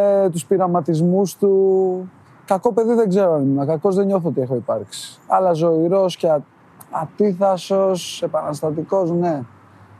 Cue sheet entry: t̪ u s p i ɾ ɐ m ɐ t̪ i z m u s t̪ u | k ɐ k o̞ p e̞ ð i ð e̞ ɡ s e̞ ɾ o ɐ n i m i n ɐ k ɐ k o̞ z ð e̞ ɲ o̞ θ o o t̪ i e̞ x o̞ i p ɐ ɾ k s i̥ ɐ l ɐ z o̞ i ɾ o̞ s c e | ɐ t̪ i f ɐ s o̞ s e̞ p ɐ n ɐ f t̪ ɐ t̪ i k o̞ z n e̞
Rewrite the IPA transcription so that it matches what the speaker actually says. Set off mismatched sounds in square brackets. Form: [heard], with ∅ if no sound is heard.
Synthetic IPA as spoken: t̪ u s p i ɾ ɐ m ɐ t̪ i z m u s t̪ u | k ɐ k o̞ p e̞ ð i ð e̞ ɡ [z] e̞ ɾ o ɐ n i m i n ɐ k ɐ k o̞ z ð e̞ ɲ o̞ θ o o t̪ i e̞ x o̞ i p ɐ ɾ k s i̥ ɐ l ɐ z o̞ i ɾ o̞ s c e | ɐ t̪ i [θ] ɐ s o̞ s e̞ p ɐ n ɐ [s] t̪ ɐ t̪ i k o̞ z n e̞